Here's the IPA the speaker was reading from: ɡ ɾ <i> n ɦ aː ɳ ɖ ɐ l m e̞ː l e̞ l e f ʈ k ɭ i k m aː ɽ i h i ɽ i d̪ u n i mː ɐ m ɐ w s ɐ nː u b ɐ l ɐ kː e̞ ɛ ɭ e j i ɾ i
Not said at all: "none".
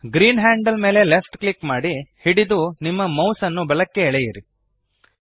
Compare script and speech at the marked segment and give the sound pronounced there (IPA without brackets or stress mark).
iː